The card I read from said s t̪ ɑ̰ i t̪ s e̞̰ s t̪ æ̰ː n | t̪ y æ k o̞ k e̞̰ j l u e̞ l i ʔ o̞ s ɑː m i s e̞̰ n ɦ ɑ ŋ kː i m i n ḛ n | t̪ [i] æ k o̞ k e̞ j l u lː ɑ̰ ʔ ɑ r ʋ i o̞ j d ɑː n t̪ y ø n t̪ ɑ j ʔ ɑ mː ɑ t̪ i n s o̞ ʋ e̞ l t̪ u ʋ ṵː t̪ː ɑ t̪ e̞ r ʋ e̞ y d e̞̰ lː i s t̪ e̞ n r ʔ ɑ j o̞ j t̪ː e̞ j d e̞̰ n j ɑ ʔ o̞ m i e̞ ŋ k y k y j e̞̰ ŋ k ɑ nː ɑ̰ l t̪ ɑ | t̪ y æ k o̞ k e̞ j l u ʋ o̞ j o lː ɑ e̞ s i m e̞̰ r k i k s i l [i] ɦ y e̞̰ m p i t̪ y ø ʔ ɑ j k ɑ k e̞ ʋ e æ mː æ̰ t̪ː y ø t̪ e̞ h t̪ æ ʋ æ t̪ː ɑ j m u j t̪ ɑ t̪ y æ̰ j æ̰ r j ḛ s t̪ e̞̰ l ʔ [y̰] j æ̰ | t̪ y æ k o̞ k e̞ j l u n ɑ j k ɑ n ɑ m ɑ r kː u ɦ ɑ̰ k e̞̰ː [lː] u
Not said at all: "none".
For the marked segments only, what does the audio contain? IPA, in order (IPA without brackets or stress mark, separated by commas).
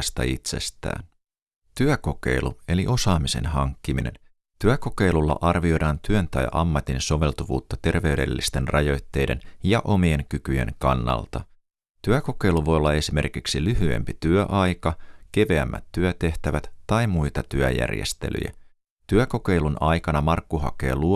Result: y, y, y̰, l